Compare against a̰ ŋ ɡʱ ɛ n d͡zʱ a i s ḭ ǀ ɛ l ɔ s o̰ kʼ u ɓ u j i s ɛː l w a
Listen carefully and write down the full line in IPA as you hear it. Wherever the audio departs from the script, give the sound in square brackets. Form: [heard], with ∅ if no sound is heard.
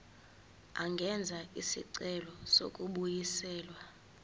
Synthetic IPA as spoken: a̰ ŋ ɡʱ ɛ n d͡zʱ a i s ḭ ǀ ɛ l ɔ s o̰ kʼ u ɓ u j i s ɛː l w a